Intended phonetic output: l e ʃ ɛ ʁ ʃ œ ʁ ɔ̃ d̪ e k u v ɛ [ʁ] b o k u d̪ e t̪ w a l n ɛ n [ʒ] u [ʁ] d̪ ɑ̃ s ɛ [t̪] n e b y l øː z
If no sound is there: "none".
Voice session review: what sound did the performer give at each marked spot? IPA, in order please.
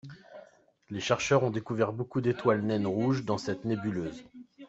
ʁ, ʁ, ʒ, t̪

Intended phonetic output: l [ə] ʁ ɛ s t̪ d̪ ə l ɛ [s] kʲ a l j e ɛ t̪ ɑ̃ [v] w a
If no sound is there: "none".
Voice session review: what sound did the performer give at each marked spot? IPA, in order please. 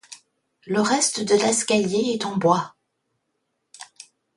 ə, s, b

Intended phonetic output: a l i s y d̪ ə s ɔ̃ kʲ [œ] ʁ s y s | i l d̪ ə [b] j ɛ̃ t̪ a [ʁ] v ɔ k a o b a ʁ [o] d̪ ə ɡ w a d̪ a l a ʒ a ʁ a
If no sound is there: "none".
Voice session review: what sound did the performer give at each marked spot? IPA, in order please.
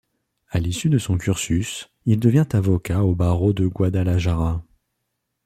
y, v, none, o

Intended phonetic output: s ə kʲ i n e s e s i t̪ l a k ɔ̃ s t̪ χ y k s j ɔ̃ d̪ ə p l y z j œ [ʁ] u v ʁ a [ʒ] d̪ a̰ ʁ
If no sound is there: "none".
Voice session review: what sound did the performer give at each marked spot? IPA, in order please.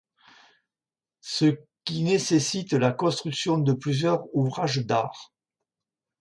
ʁ, ʒ

